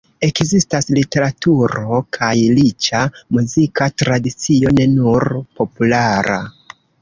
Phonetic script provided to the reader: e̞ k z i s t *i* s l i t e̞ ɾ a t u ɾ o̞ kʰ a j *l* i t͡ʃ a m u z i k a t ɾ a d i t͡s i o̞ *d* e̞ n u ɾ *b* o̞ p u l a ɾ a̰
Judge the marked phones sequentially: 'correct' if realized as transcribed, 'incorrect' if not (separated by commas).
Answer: incorrect, correct, incorrect, incorrect